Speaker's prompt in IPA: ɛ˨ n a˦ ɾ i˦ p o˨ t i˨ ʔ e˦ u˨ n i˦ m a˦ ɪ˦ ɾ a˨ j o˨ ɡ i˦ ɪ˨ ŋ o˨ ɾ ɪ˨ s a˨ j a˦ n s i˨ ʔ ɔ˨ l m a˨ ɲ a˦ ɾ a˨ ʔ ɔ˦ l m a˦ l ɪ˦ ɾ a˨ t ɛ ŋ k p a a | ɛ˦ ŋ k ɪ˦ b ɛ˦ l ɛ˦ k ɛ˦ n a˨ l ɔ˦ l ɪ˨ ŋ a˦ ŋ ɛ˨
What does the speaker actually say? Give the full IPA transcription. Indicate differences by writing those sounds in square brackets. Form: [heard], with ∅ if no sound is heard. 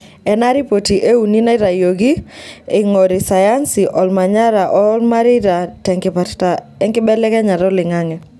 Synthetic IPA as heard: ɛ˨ n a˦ ɾ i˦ p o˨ t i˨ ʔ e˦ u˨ n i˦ [n] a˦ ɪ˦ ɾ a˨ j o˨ ɡ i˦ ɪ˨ ŋ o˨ ɾ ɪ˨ s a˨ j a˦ n s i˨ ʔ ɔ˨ l m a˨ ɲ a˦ ɾ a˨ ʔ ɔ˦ l m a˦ [ɾ] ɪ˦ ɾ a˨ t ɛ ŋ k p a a | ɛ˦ ŋ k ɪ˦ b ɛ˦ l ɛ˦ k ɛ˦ [ɲ] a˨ [ɾ] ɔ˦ l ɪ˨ ŋ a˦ ŋ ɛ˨